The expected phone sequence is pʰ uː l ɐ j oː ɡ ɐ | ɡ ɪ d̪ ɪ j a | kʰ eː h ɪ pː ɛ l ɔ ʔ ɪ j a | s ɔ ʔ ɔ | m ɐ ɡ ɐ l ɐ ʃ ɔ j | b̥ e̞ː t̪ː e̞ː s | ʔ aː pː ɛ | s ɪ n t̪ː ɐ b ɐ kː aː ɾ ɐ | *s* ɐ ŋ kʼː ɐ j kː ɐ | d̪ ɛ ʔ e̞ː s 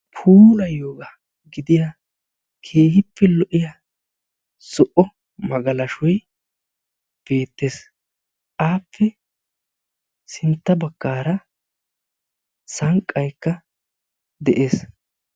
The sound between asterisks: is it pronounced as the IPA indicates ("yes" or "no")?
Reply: yes